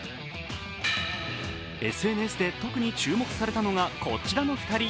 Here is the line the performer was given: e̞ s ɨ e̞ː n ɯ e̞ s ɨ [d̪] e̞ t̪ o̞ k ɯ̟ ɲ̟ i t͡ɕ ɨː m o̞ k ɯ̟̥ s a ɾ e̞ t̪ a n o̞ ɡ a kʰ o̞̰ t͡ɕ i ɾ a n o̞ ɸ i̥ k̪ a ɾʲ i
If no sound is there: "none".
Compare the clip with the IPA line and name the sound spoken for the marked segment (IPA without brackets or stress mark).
d̪